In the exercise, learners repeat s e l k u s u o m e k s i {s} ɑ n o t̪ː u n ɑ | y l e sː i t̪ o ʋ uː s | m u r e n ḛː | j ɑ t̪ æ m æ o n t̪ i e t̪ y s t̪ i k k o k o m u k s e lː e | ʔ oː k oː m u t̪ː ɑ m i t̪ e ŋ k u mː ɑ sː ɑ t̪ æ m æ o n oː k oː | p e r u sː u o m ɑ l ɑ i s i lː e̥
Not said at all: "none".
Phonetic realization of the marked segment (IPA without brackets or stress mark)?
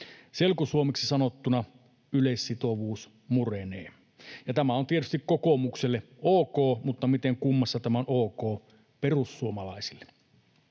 s